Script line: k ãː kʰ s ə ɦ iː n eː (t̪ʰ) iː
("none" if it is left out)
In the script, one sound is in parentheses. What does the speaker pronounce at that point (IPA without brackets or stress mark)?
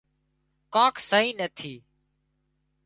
t̪ʰ